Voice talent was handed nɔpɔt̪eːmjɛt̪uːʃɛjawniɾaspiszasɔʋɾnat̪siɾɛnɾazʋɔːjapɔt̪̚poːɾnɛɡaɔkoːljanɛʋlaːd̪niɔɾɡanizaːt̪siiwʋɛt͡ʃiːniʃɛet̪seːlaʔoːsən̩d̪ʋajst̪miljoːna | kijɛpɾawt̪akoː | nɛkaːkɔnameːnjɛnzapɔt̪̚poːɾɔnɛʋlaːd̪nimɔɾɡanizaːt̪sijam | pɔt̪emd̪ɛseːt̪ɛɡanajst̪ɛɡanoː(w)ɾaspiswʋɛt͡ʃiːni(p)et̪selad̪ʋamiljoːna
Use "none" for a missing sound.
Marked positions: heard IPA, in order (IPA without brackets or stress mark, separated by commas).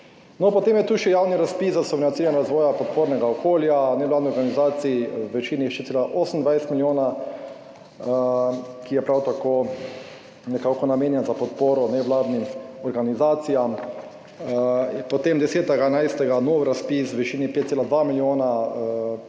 w, p